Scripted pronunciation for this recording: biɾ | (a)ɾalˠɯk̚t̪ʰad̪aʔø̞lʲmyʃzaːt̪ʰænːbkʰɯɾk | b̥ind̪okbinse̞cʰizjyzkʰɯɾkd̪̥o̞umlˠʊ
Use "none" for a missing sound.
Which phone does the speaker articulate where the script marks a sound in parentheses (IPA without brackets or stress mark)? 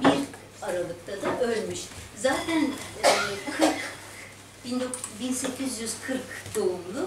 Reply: a